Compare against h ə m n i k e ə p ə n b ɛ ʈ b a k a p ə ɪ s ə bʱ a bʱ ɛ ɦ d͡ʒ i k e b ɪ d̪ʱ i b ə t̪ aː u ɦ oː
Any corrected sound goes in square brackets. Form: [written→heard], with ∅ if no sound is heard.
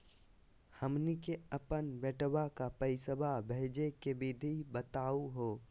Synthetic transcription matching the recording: h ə m n i k e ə p ə n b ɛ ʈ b a k a p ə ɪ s ə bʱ a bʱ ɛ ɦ d͡ʒ [i→e] k e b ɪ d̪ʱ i b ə t̪ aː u ɦ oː